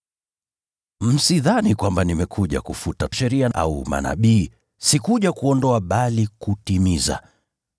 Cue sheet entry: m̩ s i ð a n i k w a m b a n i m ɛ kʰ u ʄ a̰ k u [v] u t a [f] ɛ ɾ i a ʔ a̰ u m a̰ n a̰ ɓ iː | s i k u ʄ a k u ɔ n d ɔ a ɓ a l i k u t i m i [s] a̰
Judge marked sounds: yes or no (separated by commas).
no, no, no